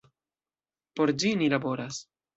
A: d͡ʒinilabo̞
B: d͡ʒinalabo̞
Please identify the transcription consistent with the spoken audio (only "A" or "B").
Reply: A